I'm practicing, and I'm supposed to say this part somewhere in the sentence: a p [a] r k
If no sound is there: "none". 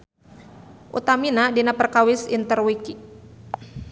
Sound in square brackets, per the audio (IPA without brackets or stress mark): ə